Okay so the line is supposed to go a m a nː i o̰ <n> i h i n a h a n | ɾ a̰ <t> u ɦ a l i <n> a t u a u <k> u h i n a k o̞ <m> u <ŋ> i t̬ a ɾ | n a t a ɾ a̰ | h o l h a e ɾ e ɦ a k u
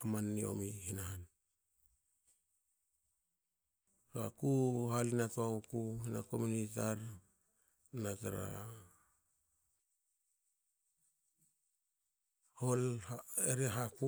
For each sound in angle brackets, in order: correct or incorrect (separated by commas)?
incorrect, incorrect, correct, correct, correct, incorrect